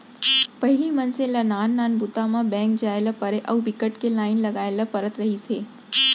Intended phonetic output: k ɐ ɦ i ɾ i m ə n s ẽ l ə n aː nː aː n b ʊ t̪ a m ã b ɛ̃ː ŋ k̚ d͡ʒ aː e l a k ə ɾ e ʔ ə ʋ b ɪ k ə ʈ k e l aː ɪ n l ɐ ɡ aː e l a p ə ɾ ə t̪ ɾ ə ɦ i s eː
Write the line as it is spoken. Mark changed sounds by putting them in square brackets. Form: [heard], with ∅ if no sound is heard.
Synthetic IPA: [p] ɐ ɦ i [l] i m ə n s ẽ l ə n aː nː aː n b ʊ t̪ a m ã b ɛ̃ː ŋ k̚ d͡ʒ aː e l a [p] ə ɾ e ʔ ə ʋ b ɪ k ə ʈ k e l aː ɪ n l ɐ ɡ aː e l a p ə ɾ ə t̪ ɾ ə ɦ i s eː